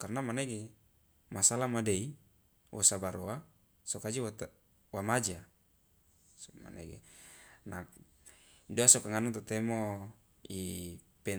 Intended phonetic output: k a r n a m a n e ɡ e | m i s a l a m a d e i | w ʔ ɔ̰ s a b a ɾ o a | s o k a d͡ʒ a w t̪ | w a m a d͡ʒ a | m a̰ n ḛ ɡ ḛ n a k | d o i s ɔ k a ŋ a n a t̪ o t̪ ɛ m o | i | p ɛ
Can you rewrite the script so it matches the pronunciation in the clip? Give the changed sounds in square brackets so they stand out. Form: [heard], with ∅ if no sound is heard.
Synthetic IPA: k a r n a m a n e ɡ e | m [a] s a l a m a d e i | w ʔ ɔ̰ s a b a ɾ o a | s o k a d͡ʒ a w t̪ | w a m a d͡ʒ a | m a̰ n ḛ ɡ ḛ n a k | d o [a] s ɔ k a ŋ a n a t̪ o t̪ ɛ m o | i | p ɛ